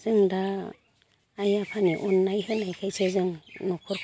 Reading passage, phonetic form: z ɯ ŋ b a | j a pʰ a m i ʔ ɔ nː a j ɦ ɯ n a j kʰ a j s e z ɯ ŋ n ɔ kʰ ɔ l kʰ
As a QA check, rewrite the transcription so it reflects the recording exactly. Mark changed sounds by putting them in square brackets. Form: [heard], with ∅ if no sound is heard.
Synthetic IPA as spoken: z ɯ ŋ [d] a | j a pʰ a [n] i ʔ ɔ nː a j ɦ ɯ n a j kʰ a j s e z ɯ ŋ n ɔ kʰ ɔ [ɾ] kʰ